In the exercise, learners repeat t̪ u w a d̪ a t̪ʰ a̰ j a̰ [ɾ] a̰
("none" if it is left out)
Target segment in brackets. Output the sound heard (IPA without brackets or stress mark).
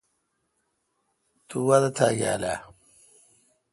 l